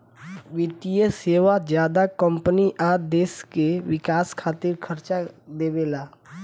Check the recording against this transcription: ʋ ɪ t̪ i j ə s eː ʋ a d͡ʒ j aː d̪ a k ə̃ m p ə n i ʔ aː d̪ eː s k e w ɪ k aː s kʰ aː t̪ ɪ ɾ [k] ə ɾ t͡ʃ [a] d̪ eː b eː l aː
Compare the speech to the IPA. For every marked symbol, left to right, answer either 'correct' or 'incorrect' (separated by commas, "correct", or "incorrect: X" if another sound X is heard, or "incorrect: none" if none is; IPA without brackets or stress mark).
incorrect: kʰ, correct